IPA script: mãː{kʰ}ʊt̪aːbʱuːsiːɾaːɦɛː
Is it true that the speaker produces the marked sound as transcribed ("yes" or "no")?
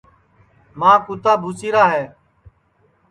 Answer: no